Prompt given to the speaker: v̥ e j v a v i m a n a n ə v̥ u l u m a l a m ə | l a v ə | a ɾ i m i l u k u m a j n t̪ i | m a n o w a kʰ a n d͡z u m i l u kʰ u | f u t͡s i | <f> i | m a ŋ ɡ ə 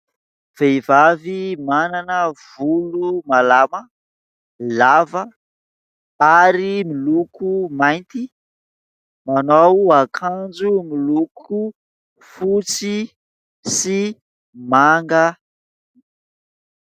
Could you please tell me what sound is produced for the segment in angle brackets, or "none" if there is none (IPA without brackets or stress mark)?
s